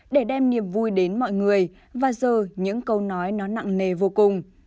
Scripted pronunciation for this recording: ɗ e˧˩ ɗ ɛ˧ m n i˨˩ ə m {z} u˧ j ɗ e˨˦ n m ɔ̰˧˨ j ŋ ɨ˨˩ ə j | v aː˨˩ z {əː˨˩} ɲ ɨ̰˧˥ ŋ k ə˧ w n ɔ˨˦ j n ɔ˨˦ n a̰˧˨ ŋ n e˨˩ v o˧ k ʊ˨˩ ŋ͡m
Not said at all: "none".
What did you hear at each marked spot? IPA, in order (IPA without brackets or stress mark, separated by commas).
v, əː˨˩